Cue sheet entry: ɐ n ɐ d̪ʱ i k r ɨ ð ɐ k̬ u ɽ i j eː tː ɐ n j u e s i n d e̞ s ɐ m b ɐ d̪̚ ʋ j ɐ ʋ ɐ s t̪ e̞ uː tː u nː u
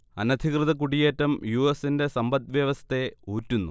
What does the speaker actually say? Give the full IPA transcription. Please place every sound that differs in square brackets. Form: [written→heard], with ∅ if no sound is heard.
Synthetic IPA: ɐ n ɐ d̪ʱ i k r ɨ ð ɐ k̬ u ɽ i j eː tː ɐ [n→m] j u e s i n d e̞ s ɐ m b ɐ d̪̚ ʋ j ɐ ʋ ɐ s t̪ e̞ uː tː u nː u

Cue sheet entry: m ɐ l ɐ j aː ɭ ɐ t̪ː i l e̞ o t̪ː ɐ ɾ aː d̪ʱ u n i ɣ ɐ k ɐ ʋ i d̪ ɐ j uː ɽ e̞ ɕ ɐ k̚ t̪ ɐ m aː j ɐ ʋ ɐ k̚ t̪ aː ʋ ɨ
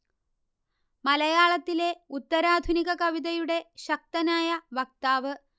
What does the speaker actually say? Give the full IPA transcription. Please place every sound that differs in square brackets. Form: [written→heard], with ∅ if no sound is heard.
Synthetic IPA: m ɐ l ɐ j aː ɭ ɐ t̪ː i l e̞ [o→u] t̪ː ɐ ɾ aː d̪ʱ u n i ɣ ɐ k ɐ ʋ i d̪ ɐ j [uː→u] ɽ e̞ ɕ ɐ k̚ t̪ ɐ [m→n] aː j ɐ ʋ ɐ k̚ t̪ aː ʋ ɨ

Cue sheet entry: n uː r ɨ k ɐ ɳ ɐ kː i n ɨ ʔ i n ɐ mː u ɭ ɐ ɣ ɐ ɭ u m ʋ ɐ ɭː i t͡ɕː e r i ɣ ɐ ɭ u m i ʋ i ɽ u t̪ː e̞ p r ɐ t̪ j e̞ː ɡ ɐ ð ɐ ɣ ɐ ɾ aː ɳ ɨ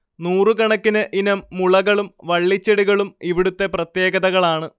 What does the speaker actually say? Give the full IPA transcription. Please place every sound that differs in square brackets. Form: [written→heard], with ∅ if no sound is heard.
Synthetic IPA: n uː r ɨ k ɐ ɳ ɐ kː i n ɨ ʔ i n ɐ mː u ɭ ɐ ɣ ɐ ɭ u m ʋ ɐ ɭː i t͡ɕː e [r→ɽ] i ɣ ɐ ɭ u m i ʋ i ɽ u t̪ː e̞ p r ɐ t̪ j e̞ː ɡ ɐ ð ɐ ɣ ɐ [ɾ→ɭ] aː ɳ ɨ

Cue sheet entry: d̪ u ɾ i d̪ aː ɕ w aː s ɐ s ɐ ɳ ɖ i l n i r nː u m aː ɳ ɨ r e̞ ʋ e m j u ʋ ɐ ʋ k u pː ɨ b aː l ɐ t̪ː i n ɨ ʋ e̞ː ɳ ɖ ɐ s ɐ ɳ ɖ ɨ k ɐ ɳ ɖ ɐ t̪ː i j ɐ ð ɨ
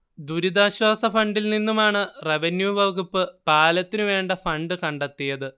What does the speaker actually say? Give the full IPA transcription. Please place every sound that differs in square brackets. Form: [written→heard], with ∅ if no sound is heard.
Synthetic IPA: d̪ u ɾ i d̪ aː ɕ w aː s ɐ [s→f] ɐ ɳ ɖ i l n i [r→∅] nː u m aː ɳ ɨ r e̞ ʋ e [m→n] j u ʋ ɐ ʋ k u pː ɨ [b→p] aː l ɐ t̪ː i n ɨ ʋ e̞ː ɳ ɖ ɐ [s→f] ɐ ɳ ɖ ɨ k ɐ ɳ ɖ ɐ t̪ː i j ɐ ð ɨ

